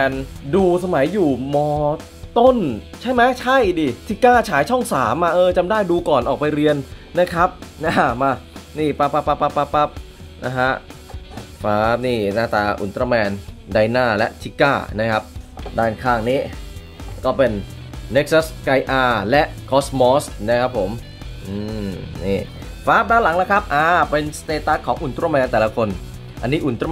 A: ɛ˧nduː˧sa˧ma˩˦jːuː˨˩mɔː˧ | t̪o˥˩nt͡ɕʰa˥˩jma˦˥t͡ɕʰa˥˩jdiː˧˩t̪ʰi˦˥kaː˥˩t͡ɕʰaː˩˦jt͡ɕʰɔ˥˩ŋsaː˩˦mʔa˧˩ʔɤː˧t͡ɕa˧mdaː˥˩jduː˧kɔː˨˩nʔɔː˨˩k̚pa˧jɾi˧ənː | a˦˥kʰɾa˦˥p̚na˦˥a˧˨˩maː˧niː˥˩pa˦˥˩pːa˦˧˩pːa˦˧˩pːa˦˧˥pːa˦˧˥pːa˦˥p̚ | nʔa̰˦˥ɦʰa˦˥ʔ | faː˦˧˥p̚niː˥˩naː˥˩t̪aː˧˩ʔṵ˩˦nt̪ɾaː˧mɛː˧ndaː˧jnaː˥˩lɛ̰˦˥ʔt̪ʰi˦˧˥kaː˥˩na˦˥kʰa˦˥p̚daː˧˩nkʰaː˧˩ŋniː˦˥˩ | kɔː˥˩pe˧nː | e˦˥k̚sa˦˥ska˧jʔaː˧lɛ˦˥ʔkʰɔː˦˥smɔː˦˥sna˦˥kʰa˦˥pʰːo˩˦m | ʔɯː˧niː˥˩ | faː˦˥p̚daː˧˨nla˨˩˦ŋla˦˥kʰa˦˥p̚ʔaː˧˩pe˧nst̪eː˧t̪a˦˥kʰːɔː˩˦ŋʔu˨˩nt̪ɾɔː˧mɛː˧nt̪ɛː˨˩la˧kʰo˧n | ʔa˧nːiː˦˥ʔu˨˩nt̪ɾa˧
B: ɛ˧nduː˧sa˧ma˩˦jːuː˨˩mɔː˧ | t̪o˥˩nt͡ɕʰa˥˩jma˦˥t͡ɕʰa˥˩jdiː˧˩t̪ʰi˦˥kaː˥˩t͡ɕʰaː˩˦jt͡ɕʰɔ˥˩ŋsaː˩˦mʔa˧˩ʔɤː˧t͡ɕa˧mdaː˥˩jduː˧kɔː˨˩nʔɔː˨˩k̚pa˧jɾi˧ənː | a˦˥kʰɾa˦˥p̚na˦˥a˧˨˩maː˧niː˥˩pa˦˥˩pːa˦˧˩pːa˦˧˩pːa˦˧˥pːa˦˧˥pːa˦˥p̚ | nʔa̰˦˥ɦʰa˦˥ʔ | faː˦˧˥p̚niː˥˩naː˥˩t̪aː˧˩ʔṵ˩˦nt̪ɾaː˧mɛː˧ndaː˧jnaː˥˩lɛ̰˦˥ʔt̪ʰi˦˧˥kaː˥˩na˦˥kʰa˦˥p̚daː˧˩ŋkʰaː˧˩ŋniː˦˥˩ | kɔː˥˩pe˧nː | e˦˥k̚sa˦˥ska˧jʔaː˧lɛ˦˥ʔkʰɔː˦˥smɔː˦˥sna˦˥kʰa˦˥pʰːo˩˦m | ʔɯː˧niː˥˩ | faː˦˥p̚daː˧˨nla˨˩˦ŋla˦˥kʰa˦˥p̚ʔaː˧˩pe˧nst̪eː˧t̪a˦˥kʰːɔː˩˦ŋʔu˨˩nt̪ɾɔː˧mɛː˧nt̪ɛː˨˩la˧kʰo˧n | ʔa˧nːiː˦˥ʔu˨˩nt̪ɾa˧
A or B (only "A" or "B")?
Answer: A